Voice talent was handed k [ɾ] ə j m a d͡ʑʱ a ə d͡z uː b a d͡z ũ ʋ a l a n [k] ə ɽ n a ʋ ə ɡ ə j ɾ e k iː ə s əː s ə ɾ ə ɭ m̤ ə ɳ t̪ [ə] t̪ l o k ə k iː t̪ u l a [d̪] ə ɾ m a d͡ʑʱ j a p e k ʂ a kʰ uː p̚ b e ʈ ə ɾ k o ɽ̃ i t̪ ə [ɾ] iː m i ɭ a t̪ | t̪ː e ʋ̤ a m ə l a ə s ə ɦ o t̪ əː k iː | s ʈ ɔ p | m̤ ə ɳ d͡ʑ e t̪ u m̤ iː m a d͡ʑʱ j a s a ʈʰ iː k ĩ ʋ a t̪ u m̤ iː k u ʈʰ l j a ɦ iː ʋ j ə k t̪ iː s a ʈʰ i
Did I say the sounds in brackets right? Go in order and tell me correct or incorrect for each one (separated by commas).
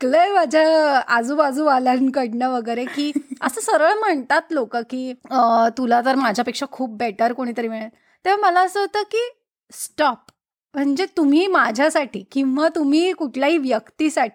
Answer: incorrect, correct, incorrect, incorrect, correct